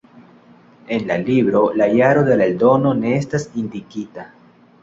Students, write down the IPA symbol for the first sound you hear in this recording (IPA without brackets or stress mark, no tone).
e̞